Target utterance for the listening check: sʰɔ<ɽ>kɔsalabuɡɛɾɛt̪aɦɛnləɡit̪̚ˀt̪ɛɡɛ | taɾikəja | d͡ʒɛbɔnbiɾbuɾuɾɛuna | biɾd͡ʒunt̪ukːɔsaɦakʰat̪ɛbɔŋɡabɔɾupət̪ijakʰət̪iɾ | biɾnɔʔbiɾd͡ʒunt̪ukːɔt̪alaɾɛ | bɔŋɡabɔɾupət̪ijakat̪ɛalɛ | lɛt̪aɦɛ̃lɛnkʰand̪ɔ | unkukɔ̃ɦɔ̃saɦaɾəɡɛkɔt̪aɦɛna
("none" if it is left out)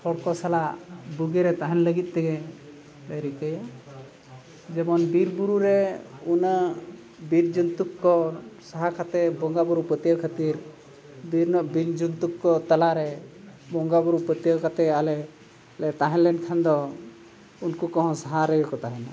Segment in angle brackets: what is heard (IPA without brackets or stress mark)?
ɽ